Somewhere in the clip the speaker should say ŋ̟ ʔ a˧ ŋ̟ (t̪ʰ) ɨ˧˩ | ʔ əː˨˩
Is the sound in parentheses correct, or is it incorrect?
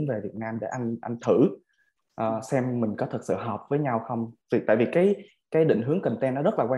correct